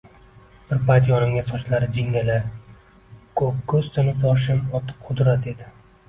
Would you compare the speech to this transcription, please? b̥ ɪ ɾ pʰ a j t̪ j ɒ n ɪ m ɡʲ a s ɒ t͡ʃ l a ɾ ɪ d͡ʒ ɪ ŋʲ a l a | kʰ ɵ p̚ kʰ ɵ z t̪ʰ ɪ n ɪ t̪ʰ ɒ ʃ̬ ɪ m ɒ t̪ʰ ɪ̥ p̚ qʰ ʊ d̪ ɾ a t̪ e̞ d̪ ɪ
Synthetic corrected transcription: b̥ ɪ ɾ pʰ a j t̪ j ɒ n ɪ m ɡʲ a s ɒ t͡ʃ l a ɾ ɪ d͡ʒ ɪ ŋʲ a l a | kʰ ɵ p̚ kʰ ɵ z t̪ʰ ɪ n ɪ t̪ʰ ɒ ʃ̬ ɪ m ɒ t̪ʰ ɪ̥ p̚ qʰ ʊ d̪ ɾ a t̪ e̞ d̪ ɪ